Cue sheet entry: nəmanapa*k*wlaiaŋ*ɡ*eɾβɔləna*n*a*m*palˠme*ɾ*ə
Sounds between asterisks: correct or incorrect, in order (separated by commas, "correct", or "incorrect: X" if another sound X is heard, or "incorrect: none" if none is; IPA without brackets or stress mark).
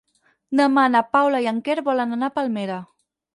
incorrect: none, incorrect: k, correct, incorrect: none, correct